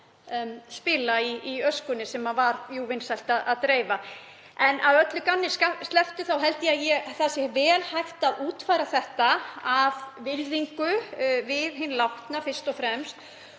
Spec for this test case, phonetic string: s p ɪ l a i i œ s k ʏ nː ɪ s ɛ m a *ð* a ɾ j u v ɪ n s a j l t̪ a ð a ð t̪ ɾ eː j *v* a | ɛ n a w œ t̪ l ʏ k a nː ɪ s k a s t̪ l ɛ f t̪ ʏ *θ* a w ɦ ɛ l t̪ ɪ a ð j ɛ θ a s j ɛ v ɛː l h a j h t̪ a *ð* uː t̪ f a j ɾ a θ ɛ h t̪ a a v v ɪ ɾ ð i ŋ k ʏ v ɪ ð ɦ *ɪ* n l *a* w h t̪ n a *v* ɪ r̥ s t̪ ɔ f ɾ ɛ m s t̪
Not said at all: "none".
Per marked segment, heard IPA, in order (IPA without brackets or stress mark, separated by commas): v, v, θ, ð, ɪ, a, f